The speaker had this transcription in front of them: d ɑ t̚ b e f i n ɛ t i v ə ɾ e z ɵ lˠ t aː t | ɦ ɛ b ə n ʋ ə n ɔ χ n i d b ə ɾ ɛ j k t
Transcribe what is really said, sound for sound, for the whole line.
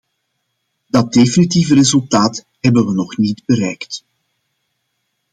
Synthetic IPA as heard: d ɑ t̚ d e f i n i t i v ə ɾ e z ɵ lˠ t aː t | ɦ ɛ b ə n ʋ ə n ɔ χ n i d b ə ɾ ɛ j k t